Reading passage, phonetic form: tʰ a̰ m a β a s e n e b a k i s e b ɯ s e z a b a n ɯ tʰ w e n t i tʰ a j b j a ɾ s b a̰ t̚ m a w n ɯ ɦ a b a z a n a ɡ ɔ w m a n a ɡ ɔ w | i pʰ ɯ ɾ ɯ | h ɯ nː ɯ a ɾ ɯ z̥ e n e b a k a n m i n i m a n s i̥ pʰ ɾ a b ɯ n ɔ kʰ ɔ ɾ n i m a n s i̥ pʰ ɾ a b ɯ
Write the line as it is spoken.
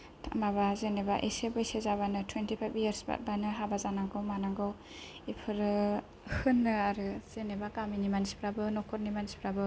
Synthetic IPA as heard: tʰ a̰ m a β a z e n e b a ʔ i s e b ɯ s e z a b a n ɯ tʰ w e n t i pʰ a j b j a ɾ s b a̰ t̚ b a n ɯ ɦ a b a z a n a ɡ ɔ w m a n a ɡ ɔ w | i pʰ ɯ ɾ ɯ | h ɯ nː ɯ a ɾ ɯ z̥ e n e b a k a m i n i m a n s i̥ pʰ ɾ a b ɯ n ɔ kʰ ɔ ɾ n i m a n s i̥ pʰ ɾ a b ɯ